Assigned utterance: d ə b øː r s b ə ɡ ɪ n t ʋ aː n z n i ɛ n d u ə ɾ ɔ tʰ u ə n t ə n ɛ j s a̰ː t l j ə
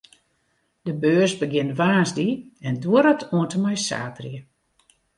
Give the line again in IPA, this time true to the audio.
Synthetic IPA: d ə b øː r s b ə ɡ ɪ n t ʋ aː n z d i ɛ n d u ə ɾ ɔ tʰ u ə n t ə m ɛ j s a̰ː t r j ə